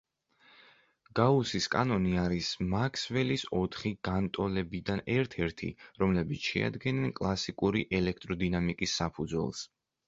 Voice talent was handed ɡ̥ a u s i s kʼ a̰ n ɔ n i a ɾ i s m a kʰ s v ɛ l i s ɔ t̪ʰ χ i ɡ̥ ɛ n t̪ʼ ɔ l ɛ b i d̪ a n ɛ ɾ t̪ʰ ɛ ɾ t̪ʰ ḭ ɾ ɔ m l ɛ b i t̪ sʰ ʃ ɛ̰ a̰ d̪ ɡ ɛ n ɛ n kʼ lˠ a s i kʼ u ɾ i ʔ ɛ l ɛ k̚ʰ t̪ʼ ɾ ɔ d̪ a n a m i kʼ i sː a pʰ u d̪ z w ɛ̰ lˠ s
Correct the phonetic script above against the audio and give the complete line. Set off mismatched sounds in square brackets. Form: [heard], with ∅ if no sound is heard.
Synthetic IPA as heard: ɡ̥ a u s i s kʼ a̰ n ɔ n i a ɾ i s m a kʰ s v ɛ l i s ɔ t̪ʰ χ i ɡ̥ [a] n t̪ʼ ɔ l ɛ b i d̪ a n ɛ ɾ t̪ʰ ɛ ɾ t̪ʰ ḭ ɾ ɔ m l ɛ b i t̪ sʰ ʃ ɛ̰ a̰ d̪ ɡ ɛ n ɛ n kʼ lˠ a s i kʼ u ɾ i ʔ ɛ l ɛ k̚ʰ t̪ʼ ɾ ɔ d̪ [i] n a m i kʼ i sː a pʰ u d̪ z w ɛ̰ lˠ s